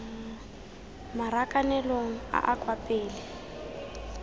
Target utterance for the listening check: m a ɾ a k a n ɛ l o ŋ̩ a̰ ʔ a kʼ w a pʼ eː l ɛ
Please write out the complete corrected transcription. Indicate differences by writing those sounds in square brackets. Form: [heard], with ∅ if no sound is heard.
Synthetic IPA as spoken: m a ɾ a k a n ɛ l o ŋ̩ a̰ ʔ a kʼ w a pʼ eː l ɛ